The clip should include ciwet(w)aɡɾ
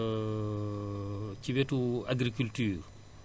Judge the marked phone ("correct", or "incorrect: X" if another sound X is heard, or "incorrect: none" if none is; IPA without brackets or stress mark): incorrect: u